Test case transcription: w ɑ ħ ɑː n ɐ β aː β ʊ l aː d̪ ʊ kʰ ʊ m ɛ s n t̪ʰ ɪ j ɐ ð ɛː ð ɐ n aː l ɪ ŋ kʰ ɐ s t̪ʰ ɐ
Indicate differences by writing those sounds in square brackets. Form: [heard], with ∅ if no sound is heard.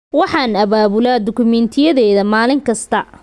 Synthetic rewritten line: w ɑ ħ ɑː n ɐ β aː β ʊ l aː d̪ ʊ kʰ ʊ m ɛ [∅] n t̪ʰ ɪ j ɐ ð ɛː ð ɐ [m] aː l ɪ ŋ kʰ ɐ s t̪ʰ ɐ